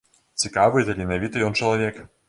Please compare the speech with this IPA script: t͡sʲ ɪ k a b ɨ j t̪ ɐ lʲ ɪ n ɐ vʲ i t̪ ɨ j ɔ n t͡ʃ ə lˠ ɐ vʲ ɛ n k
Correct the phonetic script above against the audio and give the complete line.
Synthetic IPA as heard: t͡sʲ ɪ k a v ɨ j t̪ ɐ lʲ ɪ n ɐ vʲ i t̪ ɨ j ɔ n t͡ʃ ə lˠ ɐ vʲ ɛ k